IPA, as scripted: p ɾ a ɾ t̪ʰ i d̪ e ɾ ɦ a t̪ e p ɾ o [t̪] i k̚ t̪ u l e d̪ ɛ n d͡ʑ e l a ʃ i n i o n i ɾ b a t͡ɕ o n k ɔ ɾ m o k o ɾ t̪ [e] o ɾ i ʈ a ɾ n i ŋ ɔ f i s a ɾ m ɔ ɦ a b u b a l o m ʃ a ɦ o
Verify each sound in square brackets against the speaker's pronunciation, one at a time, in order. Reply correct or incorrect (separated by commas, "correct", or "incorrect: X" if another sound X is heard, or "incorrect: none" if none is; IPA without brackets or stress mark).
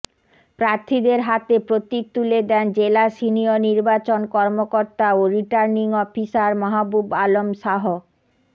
correct, incorrect: a